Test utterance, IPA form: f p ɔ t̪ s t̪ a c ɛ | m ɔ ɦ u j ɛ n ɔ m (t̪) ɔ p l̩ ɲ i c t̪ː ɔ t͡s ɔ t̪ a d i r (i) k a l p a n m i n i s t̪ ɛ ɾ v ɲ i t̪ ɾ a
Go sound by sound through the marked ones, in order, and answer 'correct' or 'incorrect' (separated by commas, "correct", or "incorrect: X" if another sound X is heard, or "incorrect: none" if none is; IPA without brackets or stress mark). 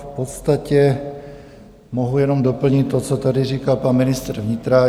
incorrect: d̪, incorrect: iː